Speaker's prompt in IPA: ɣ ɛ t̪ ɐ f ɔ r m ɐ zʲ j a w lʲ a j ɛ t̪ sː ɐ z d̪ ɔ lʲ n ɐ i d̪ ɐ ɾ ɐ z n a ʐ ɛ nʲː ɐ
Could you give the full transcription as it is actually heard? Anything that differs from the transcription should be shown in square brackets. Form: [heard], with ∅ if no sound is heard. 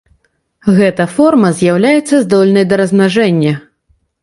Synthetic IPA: ɣ ɛ t̪ ɐ f ɔ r m ɐ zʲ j a w lʲ a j ɛ t̪ sː ɐ z d̪ ɔ lʲ n ɐ [j] d̪ ɐ ɾ ɐ z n a ʐ ɛ nʲː ɐ